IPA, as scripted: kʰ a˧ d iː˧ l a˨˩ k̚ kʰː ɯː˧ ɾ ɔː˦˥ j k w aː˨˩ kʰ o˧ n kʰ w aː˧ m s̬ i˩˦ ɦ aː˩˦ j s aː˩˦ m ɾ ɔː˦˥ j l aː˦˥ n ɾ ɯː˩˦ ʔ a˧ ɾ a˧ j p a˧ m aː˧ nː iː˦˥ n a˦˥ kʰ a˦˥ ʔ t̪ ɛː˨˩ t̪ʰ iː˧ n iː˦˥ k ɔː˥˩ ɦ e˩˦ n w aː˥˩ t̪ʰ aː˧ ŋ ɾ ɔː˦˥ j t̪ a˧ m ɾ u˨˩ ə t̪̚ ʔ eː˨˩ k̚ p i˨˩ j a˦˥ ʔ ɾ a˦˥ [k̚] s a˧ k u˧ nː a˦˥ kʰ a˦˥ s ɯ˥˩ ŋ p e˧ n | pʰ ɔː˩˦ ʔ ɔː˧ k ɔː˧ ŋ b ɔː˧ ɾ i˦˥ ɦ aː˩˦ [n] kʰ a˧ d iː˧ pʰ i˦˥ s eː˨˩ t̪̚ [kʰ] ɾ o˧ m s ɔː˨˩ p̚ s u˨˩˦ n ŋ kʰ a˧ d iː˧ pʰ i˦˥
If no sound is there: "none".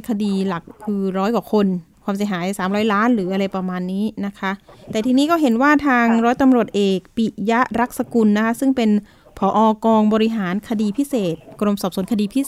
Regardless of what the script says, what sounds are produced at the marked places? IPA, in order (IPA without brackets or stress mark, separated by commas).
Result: k̚, n, k